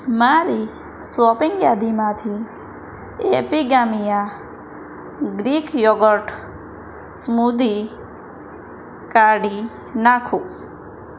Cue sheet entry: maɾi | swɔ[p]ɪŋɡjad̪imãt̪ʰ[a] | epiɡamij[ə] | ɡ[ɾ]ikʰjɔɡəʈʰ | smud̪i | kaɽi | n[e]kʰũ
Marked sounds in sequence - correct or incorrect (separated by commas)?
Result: correct, incorrect, incorrect, correct, incorrect